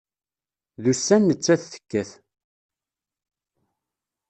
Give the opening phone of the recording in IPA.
ð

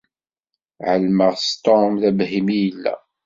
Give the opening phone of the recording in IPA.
ʕ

